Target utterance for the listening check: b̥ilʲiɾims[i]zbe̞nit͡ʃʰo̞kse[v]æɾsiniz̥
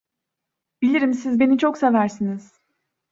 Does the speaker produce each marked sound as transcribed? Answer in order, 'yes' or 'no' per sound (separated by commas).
yes, yes